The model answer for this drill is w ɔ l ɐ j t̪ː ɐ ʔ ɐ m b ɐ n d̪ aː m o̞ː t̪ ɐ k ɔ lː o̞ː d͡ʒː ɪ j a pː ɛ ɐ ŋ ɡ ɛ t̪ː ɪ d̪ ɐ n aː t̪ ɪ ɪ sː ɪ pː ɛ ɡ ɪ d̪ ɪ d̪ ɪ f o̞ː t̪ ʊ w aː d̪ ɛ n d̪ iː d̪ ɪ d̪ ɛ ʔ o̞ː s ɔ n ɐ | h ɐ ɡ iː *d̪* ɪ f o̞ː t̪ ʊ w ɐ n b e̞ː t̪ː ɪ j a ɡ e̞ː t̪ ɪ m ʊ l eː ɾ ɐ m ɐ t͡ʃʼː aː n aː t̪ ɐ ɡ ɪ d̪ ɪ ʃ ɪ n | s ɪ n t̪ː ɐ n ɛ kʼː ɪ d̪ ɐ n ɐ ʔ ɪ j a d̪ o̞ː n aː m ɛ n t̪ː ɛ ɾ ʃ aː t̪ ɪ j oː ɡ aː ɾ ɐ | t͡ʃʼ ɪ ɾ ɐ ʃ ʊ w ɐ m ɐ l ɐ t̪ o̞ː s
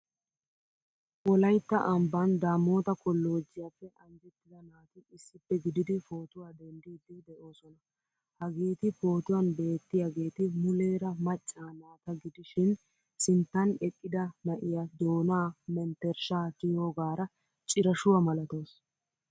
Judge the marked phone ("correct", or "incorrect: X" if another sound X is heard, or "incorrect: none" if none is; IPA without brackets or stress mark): incorrect: t̪